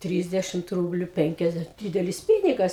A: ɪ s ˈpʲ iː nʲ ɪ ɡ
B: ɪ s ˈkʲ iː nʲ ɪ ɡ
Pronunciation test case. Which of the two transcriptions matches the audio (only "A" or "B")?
A